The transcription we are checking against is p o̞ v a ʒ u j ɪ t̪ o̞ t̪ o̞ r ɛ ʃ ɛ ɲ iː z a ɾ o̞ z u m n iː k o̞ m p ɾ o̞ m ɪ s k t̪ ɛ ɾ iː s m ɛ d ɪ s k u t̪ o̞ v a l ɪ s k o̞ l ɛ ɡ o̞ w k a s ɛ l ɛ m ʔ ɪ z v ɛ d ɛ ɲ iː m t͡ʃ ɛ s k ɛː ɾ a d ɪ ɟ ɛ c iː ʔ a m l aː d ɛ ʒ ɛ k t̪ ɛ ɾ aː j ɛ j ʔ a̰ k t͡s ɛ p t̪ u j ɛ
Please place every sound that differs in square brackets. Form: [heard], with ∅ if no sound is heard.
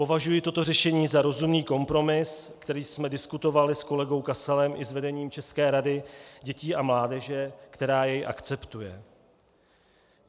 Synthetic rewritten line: p o̞ v a ʒ u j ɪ t̪ o̞ t̪ o̞ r ɛ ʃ ɛ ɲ iː z a ɾ o̞ z u m n iː k o̞ m p ɾ o̞ m ɪ s k t̪ ɛ ɾ iː s m ɛ d ɪ s k u t̪ o̞ v a l ɪ s k o̞ l ɛ ɡ o̞ w k a s ɛ l ɛ m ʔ ɪ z v ɛ d ɛ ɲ iː m t͡ʃ ɛ s k ɛː ɾ a d ɪ ɟ ɛ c iː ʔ a m l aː d ɛ ʒ ɛ k t̪ ɛ ɾ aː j ɛ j ʔ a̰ k t͡s ɛ p t̪ u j ɛ